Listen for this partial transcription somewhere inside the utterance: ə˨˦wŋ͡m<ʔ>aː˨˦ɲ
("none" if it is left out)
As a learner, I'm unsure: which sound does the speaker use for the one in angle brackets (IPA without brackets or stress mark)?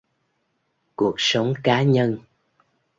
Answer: k